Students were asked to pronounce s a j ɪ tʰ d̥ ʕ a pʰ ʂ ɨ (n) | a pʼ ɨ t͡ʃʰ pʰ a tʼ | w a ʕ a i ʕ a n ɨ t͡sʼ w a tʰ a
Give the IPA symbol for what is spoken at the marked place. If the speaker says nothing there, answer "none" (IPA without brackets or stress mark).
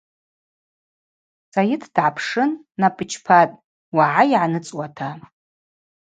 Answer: nː